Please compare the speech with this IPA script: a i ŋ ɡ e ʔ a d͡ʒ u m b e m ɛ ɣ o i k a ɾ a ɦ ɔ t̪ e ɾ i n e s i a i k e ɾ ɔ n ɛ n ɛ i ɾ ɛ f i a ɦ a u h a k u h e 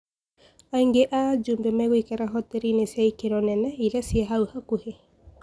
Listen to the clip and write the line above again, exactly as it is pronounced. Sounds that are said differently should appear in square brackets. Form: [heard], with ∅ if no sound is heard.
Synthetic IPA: a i ŋ ɡ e ʔ a d͡ʒ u m b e m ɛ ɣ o i k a ɾ a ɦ ɔ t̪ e ɾ i n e s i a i k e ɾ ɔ n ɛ n ɛ i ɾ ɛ [s] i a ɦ a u h a k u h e